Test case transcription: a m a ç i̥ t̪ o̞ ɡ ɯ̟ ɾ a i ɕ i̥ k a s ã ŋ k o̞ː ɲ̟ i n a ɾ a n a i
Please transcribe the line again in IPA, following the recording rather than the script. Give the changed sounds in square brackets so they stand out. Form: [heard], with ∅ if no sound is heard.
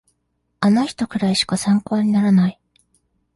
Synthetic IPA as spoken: a [n] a ç i̥ t̪ o̞ [k] ɯ̟ ɾ a i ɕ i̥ k a s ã ŋ k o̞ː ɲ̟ i n a ɾ a n a i